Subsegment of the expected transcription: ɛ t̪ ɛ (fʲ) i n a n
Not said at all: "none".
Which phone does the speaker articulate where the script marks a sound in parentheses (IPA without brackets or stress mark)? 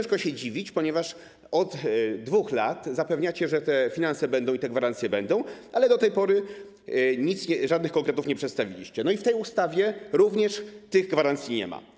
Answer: fʲ